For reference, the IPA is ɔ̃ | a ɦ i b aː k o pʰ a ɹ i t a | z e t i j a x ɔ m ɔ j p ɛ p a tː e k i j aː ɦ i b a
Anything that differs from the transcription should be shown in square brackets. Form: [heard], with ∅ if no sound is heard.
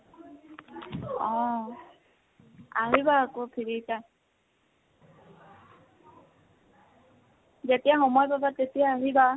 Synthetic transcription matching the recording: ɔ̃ | a ɦ i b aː k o pʰ [i] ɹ i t a | z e t i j a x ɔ m ɔ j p [a] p a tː e [t] i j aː ɦ i b a